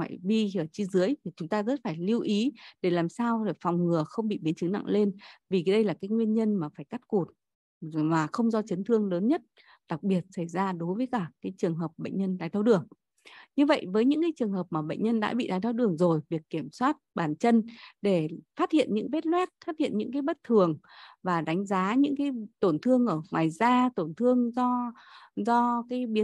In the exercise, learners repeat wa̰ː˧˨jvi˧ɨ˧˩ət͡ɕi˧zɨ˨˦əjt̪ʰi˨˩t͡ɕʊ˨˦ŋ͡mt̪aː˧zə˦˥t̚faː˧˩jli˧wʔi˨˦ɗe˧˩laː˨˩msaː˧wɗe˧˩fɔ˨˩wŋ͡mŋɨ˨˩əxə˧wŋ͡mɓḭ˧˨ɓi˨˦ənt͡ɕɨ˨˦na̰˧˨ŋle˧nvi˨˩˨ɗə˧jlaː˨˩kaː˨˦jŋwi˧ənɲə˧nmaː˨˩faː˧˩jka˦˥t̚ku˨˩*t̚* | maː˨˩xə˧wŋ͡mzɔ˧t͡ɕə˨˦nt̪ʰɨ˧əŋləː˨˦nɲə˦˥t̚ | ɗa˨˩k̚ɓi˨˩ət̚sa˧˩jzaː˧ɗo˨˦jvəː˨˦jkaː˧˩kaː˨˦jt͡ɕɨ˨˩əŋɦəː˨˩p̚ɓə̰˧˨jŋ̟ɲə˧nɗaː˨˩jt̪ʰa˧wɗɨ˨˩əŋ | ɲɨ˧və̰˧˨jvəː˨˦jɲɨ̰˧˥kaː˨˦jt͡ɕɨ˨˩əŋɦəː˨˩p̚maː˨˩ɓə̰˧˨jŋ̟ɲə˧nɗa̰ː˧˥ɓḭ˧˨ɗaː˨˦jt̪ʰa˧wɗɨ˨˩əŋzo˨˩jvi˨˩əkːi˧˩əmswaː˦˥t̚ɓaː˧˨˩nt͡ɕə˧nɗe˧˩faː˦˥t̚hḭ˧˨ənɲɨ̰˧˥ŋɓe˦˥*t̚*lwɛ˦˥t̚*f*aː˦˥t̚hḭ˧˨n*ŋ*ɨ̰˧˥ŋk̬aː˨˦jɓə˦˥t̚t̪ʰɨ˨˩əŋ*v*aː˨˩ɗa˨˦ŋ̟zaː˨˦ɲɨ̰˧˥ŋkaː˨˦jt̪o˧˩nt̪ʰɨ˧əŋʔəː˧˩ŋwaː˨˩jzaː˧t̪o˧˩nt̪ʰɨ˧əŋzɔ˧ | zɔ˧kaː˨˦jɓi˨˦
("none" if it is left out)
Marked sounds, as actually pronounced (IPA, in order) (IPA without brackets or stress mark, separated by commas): t̚, t̚, f, ɲ, v